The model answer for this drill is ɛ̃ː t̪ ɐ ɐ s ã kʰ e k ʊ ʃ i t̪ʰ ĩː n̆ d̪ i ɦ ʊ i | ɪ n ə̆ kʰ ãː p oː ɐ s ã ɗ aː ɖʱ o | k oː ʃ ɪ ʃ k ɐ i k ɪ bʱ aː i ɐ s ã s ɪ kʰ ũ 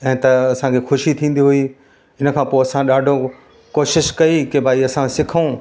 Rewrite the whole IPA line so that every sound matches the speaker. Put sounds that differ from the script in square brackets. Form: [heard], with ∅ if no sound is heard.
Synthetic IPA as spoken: ɛ̃ː t̪ ɐ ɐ s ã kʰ e [x] ʊ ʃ i t̪ʰ ĩː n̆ d̪ i ɦ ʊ i | ɪ n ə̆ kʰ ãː p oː ɐ s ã ɗ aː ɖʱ o | k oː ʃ ɪ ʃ k ɐ i k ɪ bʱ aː i ɐ s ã s ɪ kʰ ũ